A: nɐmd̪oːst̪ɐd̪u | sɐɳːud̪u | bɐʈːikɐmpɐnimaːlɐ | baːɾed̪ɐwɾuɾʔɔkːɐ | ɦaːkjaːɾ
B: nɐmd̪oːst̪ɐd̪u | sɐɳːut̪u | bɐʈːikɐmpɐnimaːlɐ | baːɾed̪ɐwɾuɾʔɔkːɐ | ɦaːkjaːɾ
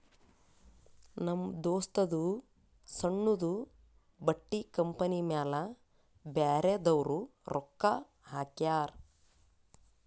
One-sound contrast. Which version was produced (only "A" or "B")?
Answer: A